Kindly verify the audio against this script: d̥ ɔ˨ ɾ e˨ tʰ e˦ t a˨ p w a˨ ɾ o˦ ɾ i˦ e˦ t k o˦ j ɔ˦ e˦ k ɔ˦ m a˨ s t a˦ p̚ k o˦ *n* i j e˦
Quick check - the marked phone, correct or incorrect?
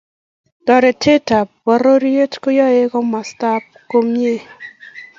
incorrect